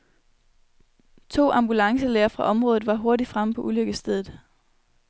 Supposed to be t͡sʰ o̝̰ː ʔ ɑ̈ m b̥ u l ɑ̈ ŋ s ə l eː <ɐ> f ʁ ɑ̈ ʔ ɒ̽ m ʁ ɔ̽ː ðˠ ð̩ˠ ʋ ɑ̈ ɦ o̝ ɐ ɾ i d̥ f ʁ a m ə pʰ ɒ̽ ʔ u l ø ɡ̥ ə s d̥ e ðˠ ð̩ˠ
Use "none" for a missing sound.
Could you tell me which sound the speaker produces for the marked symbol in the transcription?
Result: ɐ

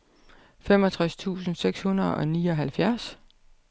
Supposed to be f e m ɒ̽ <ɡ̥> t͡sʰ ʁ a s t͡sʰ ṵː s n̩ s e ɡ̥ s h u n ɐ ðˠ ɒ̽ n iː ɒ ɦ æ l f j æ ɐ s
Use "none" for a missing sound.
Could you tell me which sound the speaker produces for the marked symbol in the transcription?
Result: none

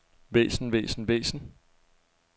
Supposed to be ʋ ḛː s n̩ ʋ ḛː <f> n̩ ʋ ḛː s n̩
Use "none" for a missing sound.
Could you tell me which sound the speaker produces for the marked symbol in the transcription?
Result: s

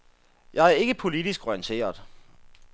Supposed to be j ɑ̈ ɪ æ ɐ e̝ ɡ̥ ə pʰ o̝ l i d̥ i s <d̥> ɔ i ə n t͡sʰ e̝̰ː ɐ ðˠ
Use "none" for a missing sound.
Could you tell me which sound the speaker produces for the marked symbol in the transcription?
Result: ɡ̥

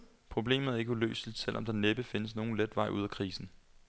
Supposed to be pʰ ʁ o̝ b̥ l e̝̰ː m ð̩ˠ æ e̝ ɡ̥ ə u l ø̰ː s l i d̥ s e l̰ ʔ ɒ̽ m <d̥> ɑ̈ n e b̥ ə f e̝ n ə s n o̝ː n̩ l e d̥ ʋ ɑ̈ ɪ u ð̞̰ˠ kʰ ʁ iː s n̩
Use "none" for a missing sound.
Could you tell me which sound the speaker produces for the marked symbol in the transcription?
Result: d̥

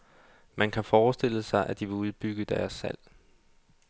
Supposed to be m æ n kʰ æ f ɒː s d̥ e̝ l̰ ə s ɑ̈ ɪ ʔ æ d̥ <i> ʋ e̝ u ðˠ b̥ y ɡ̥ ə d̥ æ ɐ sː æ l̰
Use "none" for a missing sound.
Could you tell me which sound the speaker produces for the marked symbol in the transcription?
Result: i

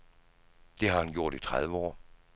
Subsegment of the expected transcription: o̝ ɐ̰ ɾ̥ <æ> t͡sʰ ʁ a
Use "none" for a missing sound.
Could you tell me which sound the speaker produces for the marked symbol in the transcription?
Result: i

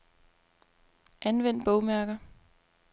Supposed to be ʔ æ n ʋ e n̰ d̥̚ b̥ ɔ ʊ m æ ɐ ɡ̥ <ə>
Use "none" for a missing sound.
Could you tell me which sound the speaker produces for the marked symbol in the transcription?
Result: ɐ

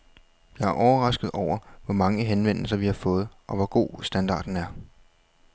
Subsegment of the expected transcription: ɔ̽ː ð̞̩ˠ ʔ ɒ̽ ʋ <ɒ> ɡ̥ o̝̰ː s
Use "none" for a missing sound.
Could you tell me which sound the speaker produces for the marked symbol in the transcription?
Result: ɒ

